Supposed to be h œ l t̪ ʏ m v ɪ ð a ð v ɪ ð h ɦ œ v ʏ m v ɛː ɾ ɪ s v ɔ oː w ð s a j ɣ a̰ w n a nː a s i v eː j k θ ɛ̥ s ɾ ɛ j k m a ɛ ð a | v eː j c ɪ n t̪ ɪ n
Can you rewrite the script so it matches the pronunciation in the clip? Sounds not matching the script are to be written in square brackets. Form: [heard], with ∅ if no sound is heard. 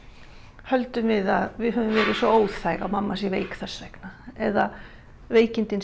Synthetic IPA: h œ l t̪ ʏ m v ɪ ð a ð v ɪ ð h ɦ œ v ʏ m v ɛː ɾ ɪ s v ɔ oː w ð [θ] a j ɣ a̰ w [m] a [mː] a s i v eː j k θ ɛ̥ s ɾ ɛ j k [n] a ɛ ð a | v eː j c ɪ n t̪ ɪ n